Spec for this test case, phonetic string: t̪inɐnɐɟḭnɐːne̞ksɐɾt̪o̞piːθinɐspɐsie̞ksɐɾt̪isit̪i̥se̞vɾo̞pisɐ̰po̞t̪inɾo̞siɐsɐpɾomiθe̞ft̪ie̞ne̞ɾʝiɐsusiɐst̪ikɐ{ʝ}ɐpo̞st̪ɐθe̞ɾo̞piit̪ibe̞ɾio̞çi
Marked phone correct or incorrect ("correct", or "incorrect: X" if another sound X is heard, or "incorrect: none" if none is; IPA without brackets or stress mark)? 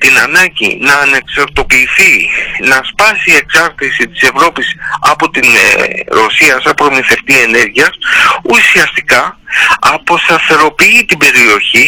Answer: incorrect: none